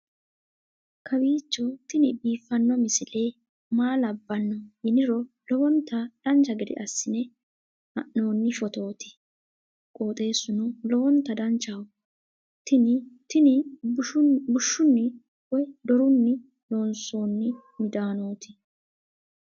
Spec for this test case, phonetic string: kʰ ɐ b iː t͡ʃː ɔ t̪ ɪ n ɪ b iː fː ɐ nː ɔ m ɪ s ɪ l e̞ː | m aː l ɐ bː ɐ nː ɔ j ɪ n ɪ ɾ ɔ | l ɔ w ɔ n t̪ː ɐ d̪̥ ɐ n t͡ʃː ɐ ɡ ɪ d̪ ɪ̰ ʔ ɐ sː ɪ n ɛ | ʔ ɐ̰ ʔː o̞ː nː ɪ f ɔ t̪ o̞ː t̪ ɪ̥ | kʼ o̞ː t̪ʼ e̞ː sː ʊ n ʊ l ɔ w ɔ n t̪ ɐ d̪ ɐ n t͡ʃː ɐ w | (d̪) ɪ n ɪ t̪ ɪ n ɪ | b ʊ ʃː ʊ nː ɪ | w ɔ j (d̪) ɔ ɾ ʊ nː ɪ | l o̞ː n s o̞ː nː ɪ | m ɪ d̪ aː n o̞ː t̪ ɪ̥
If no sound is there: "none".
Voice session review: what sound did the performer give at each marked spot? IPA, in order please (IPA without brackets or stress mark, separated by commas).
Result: t̪, d̪